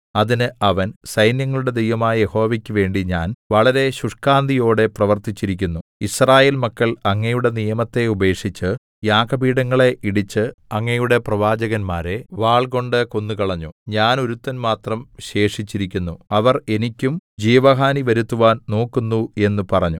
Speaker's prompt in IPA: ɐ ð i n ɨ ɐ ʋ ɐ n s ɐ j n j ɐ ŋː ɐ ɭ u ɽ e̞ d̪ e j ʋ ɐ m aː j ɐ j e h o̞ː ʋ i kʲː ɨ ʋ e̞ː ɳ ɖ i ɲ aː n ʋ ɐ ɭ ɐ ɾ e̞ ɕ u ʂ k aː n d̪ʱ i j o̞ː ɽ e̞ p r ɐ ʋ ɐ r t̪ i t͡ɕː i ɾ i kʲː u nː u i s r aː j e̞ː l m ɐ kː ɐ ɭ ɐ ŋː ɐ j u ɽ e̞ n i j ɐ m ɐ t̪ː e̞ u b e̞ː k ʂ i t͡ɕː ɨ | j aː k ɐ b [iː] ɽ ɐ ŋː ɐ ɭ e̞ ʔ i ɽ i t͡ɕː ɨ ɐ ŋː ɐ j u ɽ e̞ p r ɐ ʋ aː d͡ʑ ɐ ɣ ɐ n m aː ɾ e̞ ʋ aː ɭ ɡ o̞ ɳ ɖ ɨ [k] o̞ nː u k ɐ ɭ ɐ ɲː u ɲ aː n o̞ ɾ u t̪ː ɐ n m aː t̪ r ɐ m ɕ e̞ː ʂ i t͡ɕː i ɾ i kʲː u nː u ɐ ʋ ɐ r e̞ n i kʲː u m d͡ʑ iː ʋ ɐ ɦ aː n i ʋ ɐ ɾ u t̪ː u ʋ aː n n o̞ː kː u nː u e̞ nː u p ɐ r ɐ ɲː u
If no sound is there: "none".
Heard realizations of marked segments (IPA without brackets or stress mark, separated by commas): iː, k